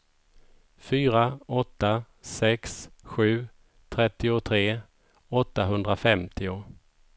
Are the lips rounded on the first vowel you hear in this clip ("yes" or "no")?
yes